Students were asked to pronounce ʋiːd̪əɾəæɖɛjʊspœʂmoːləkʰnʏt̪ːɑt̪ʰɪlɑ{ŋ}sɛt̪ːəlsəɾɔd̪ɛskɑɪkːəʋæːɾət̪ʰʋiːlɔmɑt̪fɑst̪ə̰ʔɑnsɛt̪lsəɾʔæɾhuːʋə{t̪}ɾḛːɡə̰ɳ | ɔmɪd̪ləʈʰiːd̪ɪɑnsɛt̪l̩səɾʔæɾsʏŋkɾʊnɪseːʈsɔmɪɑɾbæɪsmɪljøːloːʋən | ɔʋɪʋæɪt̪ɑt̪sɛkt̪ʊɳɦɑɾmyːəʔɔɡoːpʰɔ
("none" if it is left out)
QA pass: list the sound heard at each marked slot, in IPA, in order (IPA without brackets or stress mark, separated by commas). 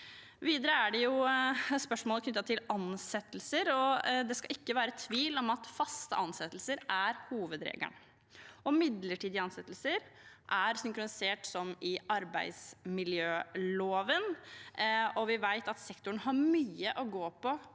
n, d̪